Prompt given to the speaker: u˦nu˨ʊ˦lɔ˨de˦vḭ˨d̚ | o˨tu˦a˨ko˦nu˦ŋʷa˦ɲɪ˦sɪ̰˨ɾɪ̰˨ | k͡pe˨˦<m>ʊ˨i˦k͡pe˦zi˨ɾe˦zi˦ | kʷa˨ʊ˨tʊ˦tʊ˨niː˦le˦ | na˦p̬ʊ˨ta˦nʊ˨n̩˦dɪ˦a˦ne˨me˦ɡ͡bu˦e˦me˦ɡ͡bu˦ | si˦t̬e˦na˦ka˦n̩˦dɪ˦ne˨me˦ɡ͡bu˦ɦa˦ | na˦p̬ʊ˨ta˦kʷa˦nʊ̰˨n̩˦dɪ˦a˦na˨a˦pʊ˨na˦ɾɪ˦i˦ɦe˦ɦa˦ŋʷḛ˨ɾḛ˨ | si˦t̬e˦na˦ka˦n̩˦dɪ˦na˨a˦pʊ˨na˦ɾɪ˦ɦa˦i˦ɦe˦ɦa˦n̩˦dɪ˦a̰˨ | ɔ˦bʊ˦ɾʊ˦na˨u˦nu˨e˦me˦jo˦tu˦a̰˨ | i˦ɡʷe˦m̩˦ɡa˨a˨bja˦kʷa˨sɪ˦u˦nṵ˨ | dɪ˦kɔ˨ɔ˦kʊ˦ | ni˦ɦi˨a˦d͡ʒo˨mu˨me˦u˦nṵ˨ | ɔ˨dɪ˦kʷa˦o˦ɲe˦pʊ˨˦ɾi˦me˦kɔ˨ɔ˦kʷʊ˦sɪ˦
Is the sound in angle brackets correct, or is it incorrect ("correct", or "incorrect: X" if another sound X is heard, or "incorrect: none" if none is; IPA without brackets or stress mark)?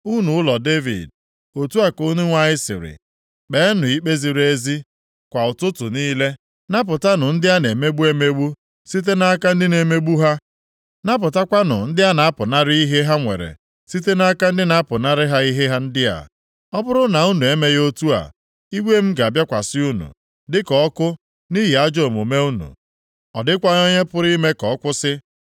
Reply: incorrect: n